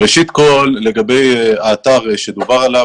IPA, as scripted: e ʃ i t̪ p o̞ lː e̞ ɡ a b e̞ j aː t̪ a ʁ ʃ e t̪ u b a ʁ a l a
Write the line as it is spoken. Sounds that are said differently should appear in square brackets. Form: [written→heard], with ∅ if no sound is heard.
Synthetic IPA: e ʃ i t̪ [p→k] o̞ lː e̞ ɡ a b e̞ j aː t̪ a ʁ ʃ e [t̪→d̪] u b a ʁ a l a

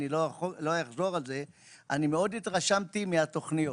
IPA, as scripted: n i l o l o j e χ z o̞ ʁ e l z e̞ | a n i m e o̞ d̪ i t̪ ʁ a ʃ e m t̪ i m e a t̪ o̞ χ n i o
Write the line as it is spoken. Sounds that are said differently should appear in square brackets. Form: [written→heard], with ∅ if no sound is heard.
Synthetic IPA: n i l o l o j [e→a] χ z o̞ ʁ [e→a] l z e̞ | a n i m e o̞ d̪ i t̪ ʁ a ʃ [e→a] m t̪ i m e a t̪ o̞ χ n i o

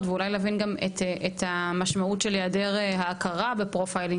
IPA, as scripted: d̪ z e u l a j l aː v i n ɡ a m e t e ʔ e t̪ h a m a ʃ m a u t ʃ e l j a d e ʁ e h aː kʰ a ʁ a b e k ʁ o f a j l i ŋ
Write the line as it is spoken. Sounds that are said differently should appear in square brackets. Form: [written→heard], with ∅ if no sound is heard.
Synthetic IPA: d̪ [z→v] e u l a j l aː v i n ɡ a m e t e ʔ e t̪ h a m a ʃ m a u t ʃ e l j a d e ʁ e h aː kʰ a ʁ a b e [k→p] ʁ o f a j l i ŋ

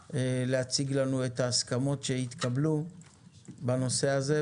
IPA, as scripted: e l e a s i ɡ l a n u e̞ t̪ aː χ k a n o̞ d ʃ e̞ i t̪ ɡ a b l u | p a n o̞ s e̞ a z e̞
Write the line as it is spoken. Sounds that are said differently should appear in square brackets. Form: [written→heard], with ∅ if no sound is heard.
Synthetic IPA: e l e a [s→t͡s] i ɡ l a n u e̞ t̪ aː [χ→s] k a [n→m] o̞ [d→t] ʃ e̞ i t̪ [ɡ→k] a b l u | [p→b] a n o̞ s e̞ a z e̞

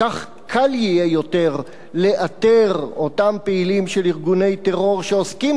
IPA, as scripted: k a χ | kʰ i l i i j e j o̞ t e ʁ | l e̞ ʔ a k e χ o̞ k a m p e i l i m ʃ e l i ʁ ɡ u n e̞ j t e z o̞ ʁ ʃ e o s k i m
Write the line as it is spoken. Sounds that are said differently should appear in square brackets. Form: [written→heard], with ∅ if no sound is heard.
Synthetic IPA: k a χ | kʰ [i→a] l [i→j] i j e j o̞ t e ʁ | l e̞ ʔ a [k→t] e [χ→ʁ] o̞ [k→t] a m p e i l i m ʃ e l i ʁ ɡ u n e̞ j t e [z→ʁ] o̞ ʁ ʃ e o s k i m

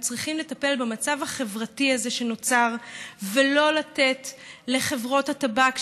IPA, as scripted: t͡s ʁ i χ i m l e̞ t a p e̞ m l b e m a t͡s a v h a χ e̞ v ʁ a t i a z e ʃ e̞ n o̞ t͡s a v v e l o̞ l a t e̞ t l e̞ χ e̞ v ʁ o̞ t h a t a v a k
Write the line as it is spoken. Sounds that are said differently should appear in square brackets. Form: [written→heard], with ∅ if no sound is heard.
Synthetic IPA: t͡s ʁ i χ i m l e̞ t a p e̞ [m→∅] l b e m a t͡s a v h a χ e̞ v ʁ a t i a z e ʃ e̞ n o̞ t͡s a [v→ʁ] v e l o̞ l a t e̞ t l e̞ χ e̞ v ʁ o̞ t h a t a [v→b] a k

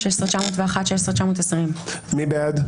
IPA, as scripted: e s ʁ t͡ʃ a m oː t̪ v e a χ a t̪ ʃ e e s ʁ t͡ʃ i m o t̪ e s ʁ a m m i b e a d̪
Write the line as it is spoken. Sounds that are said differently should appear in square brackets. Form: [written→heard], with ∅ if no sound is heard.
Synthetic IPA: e s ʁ t͡ʃ a m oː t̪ v e a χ a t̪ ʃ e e s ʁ t͡ʃ [i→a] m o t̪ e s ʁ [a→i] m m i b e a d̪

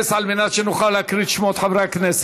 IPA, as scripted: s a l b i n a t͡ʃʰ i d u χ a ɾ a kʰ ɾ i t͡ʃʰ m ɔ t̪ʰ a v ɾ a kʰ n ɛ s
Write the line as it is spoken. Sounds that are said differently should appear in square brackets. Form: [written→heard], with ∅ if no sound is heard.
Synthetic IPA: s a l [b→m] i n a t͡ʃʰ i [d→n] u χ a [ɾ→l] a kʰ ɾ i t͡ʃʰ m ɔ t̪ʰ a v ɾ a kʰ n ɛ s

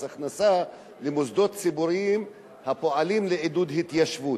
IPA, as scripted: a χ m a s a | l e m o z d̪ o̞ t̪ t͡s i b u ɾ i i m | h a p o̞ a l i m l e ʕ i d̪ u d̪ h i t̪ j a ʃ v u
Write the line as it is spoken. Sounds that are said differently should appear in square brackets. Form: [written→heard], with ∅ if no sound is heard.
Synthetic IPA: a χ [m→n] a s a | l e m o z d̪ o̞ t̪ t͡s i b u ɾ i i m | h a p o̞ a l i m l e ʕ i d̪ u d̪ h i t̪ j a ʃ v u

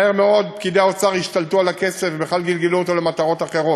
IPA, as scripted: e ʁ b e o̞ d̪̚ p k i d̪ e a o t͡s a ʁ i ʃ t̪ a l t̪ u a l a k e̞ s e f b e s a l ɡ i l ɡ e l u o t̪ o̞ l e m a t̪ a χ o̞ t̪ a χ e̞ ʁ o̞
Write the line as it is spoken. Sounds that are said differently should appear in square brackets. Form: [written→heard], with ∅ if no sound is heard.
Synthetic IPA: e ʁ [b→m] e o̞ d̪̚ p k i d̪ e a o t͡s a ʁ i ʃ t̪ a l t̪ u a l a k e̞ s e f b e [s→χ] a l ɡ i l ɡ e l u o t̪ o̞ l e m a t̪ a [χ→ʁ] o̞ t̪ a χ e̞ ʁ o̞

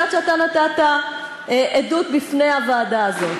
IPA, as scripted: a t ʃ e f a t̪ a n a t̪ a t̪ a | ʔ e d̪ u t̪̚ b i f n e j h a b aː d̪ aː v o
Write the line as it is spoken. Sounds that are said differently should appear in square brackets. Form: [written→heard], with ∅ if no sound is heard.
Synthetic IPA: a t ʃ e [f→∅] a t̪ a n a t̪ a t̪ a | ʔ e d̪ u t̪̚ b i f n e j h a [b→v] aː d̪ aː [v→z] o

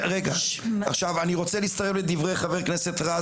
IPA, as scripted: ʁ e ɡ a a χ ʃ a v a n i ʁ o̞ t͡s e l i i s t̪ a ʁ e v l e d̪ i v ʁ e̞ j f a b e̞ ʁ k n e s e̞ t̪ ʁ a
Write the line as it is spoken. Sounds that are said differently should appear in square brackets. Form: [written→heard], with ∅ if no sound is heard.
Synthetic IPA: ʁ e ɡ a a χ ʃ a v a n i ʁ o̞ t͡s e l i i s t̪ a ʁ e v l e d̪ i v ʁ e̞ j [f→χ] a [b→v] e̞ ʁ k n e s e̞ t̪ ʁ a

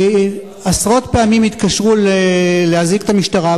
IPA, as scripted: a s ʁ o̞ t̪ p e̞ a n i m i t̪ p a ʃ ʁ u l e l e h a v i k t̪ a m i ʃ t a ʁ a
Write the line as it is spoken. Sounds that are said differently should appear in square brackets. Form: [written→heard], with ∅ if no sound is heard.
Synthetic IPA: a s ʁ o̞ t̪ p e̞ a [n→m] i m i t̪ [p→k] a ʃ ʁ u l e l e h a [v→z] i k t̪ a m i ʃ t a ʁ a

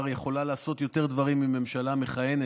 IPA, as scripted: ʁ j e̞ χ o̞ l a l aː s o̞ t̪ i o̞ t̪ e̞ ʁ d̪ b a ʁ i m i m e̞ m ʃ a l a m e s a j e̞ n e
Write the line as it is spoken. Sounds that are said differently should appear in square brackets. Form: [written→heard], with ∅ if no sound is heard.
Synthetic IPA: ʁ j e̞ χ o̞ l a l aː s o̞ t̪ [i→j] o̞ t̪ e̞ ʁ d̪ [b→v] a ʁ i m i m e̞ m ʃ a l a m e [s→χ] a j e̞ n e

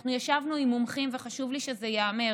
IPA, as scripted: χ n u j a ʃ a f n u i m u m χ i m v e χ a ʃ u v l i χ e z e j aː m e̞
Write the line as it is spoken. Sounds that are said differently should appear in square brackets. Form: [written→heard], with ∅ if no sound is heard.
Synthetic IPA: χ n u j a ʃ a [f→v] n u i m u m χ i m v e χ a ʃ u v l i [χ→ʃ] e z e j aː m e̞

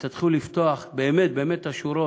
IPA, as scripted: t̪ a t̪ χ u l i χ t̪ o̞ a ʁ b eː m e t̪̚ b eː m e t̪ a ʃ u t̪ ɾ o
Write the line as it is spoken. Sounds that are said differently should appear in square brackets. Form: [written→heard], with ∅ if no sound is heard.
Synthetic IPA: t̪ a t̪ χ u l i [χ→f] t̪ o̞ a [ʁ→χ] b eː m e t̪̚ b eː m e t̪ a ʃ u [t̪→∅] ɾ o

